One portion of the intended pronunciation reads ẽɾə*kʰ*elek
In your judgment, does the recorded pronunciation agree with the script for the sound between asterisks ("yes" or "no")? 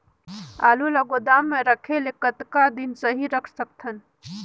yes